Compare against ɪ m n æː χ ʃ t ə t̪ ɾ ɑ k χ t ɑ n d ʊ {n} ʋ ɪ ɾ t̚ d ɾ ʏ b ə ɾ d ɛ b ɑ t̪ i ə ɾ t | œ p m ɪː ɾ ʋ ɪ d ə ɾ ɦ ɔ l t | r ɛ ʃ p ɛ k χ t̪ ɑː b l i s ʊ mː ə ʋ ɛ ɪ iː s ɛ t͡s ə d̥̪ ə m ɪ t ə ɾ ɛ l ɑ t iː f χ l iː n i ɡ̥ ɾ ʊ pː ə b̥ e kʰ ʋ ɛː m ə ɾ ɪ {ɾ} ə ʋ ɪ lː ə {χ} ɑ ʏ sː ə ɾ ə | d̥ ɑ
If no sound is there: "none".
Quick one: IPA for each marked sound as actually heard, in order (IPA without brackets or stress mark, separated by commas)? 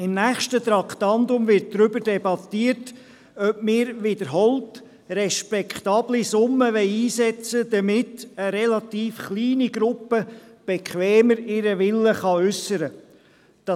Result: m, ɾ, χ